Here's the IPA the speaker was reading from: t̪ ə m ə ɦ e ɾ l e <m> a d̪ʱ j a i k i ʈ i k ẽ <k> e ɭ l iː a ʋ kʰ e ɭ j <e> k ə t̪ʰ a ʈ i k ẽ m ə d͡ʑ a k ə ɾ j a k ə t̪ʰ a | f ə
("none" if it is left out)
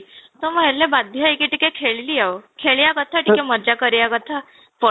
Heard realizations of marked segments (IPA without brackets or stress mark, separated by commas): b, kʰ, a